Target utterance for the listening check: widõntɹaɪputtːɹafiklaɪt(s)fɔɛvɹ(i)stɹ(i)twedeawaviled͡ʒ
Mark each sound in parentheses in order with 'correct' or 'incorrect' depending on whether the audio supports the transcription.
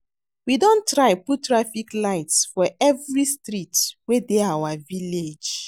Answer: correct, correct, correct

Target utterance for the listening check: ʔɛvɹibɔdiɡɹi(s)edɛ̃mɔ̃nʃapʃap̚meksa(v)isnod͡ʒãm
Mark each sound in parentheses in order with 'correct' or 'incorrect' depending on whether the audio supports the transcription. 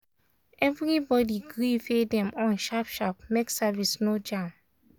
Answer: incorrect: f, correct

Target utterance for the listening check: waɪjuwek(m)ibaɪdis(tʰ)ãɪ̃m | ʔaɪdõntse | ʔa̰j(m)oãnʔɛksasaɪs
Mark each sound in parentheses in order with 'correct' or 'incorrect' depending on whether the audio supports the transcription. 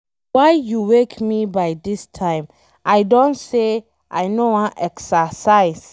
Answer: correct, correct, incorrect: n

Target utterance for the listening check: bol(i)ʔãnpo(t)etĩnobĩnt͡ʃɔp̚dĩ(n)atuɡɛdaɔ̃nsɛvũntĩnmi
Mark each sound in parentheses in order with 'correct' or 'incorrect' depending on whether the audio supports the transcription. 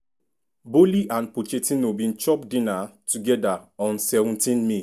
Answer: correct, incorrect: t͡ʃ, correct

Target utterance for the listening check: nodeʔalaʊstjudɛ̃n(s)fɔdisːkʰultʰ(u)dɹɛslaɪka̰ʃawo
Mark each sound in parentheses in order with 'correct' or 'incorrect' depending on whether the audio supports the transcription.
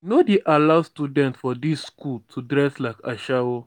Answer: incorrect: t, correct

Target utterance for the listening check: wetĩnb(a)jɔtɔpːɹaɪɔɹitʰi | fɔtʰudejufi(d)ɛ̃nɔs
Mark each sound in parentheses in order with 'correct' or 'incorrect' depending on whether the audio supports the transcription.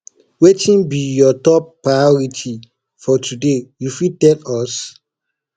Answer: incorrect: i, incorrect: t

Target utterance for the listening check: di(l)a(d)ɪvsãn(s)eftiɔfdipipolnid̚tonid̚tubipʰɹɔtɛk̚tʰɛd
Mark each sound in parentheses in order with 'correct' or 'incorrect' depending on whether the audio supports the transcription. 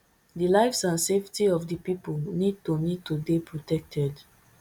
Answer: correct, incorrect: none, correct

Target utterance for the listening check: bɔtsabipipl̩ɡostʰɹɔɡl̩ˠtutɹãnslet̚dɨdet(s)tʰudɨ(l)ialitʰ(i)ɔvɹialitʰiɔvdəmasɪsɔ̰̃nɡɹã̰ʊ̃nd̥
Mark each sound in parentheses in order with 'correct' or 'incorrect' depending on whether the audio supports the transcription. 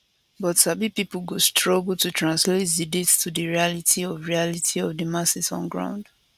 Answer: correct, incorrect: ɹ, correct

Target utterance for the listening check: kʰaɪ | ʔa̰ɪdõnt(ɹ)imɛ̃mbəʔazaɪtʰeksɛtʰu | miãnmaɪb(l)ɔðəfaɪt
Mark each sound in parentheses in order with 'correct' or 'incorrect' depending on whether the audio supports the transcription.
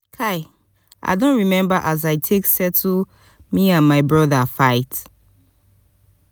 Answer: correct, incorrect: ɹ

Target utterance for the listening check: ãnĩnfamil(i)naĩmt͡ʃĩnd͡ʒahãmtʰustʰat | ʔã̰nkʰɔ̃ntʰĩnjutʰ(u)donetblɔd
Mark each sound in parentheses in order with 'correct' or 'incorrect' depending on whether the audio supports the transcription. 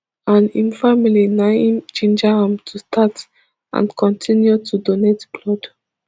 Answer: correct, correct

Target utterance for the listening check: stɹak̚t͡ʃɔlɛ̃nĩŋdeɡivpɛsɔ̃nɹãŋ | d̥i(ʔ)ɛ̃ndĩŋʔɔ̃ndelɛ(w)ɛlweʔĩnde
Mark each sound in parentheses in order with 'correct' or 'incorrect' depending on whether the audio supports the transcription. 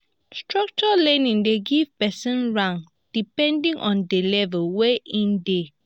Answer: incorrect: p, incorrect: v

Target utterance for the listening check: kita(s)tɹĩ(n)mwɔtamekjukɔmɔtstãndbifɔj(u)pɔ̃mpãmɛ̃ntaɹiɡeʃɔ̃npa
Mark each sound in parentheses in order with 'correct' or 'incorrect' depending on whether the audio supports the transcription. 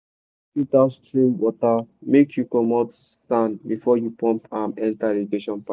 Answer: correct, incorrect: none, correct

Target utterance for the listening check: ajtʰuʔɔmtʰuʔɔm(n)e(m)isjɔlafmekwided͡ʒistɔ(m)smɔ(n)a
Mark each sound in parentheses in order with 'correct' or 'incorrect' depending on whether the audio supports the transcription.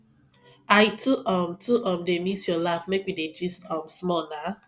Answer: incorrect: d, correct, correct, correct

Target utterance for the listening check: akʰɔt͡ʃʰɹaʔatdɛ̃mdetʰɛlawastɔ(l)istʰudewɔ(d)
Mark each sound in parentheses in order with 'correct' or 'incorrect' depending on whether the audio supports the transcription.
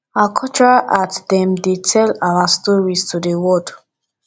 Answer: incorrect: ɹ, correct

